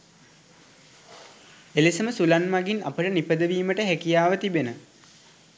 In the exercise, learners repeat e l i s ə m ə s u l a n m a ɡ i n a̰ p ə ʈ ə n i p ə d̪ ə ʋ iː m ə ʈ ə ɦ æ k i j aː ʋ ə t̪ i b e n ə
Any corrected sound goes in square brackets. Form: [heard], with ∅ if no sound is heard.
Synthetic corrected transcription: e l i s ə m ə s u l a n m a ɡ i n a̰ p ə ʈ ə n i p ə d̪ ə ʋ iː m ə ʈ ə ɦ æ k i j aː ʋ ə t̪ i b e n ə

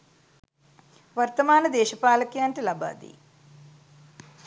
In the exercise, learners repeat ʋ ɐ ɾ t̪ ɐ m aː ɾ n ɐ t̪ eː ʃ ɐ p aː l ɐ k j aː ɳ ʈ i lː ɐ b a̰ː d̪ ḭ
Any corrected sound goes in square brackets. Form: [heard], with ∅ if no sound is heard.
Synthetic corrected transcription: ʋ ɐ ɾ t̪ ɐ m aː [∅] n ɐ [d̪] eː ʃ ɐ p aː l ɐ k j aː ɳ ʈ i [l] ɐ b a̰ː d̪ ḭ

